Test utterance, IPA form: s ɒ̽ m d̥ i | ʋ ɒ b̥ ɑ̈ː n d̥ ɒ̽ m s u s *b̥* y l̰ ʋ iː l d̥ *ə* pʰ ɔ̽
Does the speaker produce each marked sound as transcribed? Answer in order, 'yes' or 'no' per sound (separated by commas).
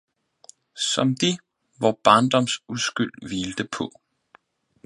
no, yes